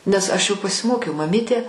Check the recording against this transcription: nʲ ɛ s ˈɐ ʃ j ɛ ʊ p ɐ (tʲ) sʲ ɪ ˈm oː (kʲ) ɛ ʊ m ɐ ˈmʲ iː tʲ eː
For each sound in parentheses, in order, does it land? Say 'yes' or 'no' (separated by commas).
no, yes